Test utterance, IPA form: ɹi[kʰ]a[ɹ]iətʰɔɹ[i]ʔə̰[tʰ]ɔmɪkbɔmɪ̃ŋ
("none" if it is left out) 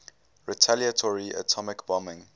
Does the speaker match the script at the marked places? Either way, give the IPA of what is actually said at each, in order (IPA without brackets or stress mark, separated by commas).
tʰ, l, i, tʰ